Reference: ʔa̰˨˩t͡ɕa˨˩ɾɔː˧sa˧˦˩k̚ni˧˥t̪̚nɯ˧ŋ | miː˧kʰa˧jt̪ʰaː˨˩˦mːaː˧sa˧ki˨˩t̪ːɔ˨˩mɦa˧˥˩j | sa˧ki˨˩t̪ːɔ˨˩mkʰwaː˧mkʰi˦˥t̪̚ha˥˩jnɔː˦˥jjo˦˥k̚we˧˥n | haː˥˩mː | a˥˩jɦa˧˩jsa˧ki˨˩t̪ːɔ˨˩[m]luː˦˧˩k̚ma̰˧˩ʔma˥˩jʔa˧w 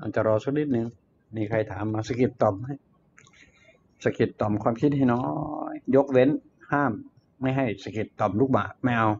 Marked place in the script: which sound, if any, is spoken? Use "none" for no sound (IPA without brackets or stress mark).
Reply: m